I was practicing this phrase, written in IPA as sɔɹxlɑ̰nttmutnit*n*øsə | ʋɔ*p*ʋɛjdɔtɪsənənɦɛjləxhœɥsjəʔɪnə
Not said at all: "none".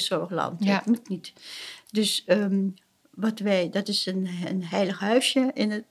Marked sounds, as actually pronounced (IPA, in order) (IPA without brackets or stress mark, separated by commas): d, t